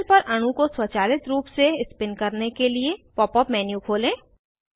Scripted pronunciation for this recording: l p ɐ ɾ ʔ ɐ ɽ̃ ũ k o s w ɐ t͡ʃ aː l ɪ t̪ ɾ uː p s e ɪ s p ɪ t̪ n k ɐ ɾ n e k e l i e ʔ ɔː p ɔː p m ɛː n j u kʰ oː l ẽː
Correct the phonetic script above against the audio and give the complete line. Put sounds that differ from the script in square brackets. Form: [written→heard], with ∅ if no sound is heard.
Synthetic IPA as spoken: l p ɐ ɾ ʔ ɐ ɽ̃ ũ k o s w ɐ t͡ʃ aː l ɪ t̪ ɾ uː p s e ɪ s p ɪ [t̪→∅] n k ɐ ɾ n e k e l i e [ʔ→p] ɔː p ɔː p m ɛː n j u kʰ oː l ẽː